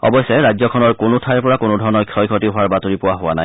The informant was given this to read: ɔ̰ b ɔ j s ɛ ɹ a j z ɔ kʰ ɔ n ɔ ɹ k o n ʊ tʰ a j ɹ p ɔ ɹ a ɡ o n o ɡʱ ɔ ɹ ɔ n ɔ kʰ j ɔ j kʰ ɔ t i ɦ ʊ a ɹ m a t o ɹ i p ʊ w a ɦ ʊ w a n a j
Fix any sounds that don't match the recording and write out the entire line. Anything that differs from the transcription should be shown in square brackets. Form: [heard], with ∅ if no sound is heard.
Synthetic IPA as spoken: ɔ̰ b ɔ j s ɛ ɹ a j z ɔ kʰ ɔ n ɔ ɹ k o n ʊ tʰ a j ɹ p ɔ ɹ a [k] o n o [dʱ] ɔ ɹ ɔ n ɔ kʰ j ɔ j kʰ ɔ t i ɦ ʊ a ɹ [b] a t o ɹ i p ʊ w a ɦ ʊ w a n a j